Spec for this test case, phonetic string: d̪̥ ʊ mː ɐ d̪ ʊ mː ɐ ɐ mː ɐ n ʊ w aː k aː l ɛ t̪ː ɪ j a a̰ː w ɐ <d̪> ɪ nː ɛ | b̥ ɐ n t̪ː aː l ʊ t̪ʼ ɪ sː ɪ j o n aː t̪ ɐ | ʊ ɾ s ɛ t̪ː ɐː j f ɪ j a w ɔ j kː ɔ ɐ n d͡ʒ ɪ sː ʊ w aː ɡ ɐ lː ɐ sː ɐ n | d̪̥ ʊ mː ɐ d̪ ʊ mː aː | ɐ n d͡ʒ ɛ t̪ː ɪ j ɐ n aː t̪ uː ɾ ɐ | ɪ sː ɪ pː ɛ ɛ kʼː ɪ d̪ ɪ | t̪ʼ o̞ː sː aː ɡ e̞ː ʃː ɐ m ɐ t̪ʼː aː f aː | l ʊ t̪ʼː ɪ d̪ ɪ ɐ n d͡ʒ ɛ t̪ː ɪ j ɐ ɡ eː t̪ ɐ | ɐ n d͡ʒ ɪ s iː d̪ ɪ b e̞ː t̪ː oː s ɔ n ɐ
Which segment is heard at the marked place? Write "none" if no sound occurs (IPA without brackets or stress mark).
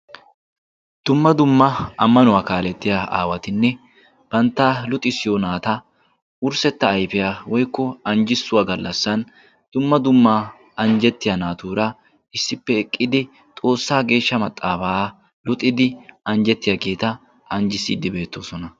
t̪